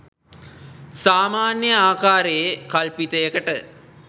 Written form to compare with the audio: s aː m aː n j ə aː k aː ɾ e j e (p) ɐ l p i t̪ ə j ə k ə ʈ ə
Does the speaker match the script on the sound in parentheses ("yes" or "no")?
no